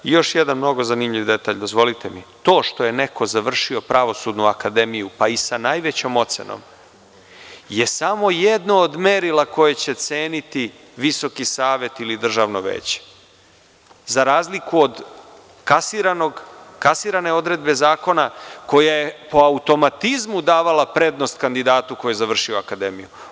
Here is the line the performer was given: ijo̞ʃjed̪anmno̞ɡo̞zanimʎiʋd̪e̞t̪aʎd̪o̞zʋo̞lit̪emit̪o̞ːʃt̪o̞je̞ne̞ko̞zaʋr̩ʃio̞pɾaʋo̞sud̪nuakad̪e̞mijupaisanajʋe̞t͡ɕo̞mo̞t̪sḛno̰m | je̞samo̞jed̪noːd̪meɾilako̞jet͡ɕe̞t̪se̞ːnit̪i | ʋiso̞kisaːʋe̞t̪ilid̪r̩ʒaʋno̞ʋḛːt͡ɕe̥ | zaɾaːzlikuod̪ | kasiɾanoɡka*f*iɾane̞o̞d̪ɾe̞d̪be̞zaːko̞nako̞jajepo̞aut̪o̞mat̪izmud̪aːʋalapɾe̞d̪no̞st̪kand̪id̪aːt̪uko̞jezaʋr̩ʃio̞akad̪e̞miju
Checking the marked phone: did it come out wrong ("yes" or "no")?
yes